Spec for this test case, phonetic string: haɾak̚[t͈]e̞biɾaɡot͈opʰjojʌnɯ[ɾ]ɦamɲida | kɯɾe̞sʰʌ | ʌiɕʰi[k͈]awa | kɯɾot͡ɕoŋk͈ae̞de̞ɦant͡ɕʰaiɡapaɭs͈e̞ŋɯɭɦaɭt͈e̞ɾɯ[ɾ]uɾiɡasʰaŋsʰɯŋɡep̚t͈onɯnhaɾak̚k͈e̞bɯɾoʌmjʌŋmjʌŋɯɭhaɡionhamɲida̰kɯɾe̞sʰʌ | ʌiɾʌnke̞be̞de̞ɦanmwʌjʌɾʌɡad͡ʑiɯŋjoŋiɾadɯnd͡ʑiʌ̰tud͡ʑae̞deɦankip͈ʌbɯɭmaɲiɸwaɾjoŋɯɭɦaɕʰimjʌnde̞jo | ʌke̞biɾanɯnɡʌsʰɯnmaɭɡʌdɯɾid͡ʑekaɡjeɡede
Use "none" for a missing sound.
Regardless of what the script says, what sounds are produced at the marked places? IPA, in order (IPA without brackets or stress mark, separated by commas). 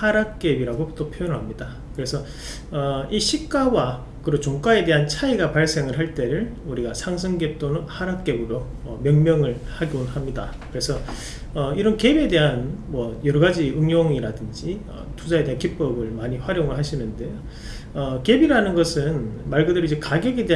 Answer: k͈, ɭ, k͈, ɭ